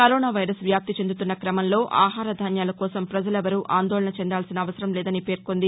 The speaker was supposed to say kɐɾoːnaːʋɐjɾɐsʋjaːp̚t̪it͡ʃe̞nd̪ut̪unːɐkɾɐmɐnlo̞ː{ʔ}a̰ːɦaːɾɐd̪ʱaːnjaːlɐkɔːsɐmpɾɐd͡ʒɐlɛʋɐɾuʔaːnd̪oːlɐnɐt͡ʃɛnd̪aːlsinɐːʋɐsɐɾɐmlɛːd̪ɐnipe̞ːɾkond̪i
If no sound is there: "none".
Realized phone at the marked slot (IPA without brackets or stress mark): ʔ